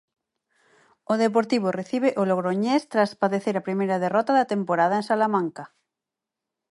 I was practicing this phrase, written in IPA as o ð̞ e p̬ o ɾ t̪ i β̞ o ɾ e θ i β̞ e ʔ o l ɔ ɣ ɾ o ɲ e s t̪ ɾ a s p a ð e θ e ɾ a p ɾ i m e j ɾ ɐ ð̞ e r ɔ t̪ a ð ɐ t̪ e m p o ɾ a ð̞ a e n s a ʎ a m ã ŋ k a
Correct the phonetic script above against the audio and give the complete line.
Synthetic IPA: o ð̞ e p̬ o ɾ t̪ i β̞ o r e θ i β̞ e ʔ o l o ɣ ɾ o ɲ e s t̪ ɾ a s p a ð e θ e ɾ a p ɾ i m e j ɾ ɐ ð̞ e r ɔ t̪ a ð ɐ t̪ e m p o ɾ a ð̞ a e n s a l a m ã ŋ k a